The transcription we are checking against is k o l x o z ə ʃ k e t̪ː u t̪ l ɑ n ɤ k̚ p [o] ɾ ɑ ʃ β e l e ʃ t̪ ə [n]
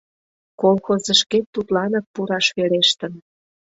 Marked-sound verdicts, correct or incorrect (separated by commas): incorrect, correct